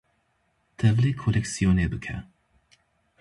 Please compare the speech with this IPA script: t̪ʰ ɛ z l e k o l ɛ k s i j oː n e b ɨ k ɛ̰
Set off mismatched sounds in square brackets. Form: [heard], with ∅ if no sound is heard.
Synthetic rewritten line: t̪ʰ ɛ [v] l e [kʰ] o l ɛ k s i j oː n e b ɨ [kʰ] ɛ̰